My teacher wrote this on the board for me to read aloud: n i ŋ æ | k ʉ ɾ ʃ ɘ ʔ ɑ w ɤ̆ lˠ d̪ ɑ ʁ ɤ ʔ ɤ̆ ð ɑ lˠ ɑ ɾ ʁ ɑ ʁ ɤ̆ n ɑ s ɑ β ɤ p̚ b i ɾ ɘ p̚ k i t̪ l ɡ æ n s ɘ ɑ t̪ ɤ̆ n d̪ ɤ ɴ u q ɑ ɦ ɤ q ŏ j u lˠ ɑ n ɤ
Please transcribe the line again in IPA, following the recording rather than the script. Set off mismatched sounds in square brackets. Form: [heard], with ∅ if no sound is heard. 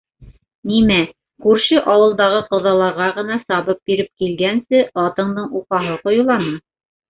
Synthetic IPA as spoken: n i [m] æ | k ʉ ɾ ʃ ɘ ʔ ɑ w ɤ̆ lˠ d̪ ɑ ʁ ɤ [q] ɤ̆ ð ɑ lˠ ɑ ɾ ʁ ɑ ʁ ɤ̆ n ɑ s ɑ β ɤ p̚ b i ɾ ɘ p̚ k i [∅] l ɡ æ n s ɘ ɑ t̪ ɤ̆ [ɴ] d̪ ɤ ɴ u q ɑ ɦ ɤ q ŏ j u lˠ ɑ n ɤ